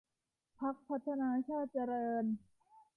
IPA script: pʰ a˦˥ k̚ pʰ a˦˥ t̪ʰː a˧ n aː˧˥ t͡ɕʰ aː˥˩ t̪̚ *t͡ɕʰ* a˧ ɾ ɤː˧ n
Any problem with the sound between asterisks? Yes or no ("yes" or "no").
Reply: yes